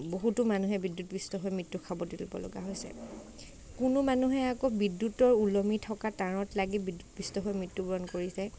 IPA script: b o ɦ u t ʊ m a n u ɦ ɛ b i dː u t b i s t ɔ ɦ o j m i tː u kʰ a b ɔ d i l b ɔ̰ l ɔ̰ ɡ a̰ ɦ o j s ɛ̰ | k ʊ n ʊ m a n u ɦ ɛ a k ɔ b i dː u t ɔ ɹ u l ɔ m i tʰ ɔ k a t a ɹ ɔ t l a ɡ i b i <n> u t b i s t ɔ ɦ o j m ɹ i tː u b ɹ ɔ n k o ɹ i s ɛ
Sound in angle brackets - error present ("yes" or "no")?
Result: yes